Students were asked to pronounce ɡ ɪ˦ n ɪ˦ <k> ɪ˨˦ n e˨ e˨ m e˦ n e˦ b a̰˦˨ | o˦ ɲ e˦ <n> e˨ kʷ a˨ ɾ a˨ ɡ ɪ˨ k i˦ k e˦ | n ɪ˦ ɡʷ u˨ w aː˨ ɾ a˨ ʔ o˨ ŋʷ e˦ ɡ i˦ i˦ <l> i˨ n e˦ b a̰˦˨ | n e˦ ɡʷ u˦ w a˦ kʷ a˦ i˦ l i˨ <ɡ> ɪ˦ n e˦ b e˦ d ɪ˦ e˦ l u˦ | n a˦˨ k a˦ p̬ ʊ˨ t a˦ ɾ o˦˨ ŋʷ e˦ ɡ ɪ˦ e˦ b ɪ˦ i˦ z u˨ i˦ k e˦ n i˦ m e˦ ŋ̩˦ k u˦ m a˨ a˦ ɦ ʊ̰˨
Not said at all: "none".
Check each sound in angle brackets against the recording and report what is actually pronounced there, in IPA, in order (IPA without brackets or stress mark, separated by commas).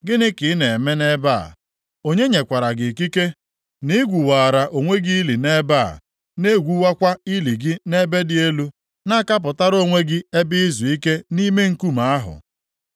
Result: k, ɲ, l, ɡ